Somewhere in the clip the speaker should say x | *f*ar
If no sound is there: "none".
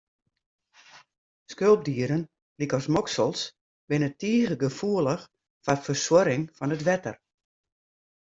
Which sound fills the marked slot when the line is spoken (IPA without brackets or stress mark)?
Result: f